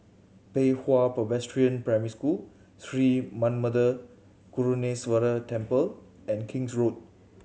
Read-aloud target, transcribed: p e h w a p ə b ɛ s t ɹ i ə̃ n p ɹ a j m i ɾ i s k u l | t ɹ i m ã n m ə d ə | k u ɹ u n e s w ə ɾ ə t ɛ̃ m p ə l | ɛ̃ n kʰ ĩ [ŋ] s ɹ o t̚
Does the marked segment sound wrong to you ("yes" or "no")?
no